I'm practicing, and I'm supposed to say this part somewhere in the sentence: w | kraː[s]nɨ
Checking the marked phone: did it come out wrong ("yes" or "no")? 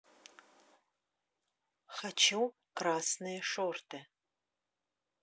no